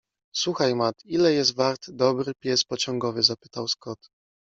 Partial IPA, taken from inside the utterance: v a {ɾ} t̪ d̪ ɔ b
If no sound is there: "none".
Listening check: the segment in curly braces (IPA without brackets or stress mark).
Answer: ɾ